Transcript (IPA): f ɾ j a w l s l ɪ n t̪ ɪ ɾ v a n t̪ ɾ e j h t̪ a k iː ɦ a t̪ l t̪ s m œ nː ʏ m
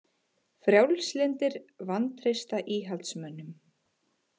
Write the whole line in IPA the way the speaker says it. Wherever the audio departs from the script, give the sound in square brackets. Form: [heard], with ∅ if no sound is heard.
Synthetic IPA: f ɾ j a w l s l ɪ n t̪ ɪ ɾ v a n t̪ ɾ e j [s] t̪ a [ʔ] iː ɦ a [∅] l t̪ s m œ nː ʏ m

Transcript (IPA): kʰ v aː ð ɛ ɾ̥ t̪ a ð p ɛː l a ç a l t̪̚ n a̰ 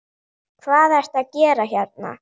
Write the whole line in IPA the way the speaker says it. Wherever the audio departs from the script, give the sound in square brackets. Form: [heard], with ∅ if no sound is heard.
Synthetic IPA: kʰ v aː ð ɛ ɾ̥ t̪ a ð [c] ɛː [ɾ] a ç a [ɾ] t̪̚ n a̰

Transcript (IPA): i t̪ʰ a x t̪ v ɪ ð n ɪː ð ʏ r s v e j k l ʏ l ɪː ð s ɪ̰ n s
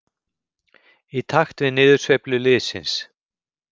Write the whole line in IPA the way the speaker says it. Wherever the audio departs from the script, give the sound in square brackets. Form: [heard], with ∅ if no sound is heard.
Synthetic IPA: i t̪ʰ a x t̪ v ɪ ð n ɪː ð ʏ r s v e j [p] l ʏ l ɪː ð s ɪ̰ n s

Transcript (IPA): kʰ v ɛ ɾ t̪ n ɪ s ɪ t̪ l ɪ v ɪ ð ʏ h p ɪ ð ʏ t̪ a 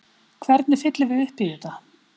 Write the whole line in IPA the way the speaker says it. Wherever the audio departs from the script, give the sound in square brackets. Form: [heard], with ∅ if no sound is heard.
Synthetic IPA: kʰ v ɛ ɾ t̪ n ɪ [f] ɪ t̪ l ɪ v ɪ ð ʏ h p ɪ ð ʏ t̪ a

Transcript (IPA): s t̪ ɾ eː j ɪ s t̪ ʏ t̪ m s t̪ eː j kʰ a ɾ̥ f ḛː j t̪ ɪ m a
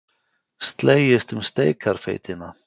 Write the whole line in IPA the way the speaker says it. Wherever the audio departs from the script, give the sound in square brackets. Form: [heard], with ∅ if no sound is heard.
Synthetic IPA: s t̪ [l] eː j ɪ s t̪ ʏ [∅] m s t̪ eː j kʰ a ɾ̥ f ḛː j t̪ ɪ [n] a

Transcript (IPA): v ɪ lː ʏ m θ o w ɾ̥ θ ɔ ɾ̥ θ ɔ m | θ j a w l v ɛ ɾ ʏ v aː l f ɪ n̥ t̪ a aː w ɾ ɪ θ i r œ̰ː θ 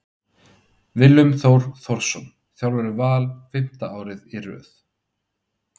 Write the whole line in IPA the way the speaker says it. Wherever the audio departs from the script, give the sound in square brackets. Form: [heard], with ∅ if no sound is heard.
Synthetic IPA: v ɪ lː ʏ m θ o w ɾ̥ θ ɔ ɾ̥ [s] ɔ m | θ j a w l v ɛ ɾ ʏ v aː l f ɪ [m̥] t̪ a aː w ɾ ɪ [ð] i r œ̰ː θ

